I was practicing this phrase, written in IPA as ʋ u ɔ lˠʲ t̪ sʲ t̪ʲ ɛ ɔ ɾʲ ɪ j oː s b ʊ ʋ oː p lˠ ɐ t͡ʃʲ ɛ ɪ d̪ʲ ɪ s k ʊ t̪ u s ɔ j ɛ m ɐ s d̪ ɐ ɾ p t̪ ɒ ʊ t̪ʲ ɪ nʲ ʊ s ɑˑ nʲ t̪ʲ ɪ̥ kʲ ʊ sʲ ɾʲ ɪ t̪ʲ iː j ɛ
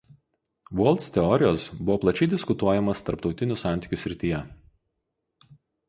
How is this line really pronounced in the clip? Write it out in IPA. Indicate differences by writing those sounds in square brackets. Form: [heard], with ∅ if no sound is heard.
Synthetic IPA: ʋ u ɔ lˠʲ t̪ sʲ t̪ʲ ɛ ɔ ɾʲ ɪ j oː s b ʊ ʋ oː p lˠ ɐ t͡ʃʲ ɛ ɪ d̪ʲ ɪ s k ʊ t̪ u [∅] ɔ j ɛ m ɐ s [t̪] ɐ ɾ p t̪ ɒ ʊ t̪ʲ ɪ nʲ ʊ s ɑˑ nʲ t̪ʲ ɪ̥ kʲ ʊ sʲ ɾʲ ɪ t̪ʲ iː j ɛ